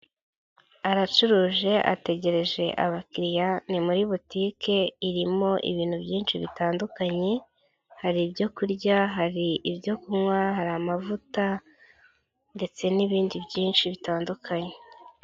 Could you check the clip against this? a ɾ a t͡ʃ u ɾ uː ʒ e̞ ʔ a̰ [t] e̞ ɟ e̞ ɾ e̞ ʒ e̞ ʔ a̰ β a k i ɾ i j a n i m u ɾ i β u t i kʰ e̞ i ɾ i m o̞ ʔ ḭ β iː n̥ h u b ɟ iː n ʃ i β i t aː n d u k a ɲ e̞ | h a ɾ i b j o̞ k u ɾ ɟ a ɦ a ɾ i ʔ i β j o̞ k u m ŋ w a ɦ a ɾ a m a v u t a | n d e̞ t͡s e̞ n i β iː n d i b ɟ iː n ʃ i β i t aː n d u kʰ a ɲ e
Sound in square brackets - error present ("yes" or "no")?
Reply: no